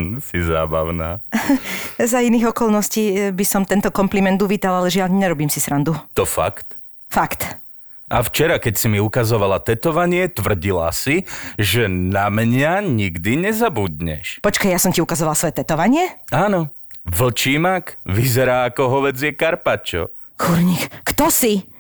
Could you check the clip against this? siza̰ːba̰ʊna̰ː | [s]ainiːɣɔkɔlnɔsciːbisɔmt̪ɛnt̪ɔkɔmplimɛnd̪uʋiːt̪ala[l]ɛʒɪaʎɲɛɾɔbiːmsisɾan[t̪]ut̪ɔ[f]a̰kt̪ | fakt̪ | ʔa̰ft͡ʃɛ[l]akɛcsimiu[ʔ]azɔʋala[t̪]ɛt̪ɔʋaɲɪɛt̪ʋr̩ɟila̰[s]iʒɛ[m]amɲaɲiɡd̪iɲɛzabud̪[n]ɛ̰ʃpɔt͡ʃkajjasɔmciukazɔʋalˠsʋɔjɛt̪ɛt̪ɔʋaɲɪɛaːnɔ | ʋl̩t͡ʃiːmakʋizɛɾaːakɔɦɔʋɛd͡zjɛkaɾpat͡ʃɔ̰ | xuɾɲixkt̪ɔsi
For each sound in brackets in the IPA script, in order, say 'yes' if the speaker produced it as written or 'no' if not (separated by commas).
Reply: no, yes, no, yes, no, no, yes, yes, no, no